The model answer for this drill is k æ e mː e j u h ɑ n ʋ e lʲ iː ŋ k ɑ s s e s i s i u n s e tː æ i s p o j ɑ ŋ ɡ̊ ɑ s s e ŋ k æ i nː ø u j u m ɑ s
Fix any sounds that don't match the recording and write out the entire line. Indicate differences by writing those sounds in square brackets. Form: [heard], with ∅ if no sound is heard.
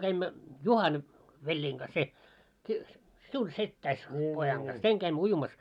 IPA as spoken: k æ [i] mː [æ] j u h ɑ n ʋ e [lʲː] iː ŋ k ɑ s s e s i s i u n s e tː æ i s p o j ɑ ŋ ɡ̊ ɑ s s e ŋ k æ i [mː] ø u j u m ɑ s